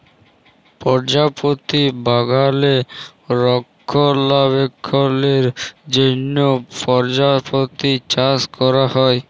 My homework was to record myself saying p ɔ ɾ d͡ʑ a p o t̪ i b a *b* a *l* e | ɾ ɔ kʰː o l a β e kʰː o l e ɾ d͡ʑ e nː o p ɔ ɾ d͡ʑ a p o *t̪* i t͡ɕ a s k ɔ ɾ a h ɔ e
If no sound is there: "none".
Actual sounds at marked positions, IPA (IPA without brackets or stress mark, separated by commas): ɡ, l, t̪